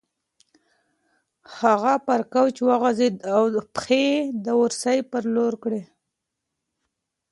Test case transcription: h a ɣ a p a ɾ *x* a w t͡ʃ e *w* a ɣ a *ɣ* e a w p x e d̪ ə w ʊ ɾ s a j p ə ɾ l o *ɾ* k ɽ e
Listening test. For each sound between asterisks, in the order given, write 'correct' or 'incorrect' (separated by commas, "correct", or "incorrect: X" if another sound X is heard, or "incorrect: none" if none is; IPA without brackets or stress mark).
incorrect: k, correct, incorrect: z, correct